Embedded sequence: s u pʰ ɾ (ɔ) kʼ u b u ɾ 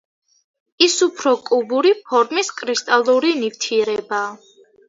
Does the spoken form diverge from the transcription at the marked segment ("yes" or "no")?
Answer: no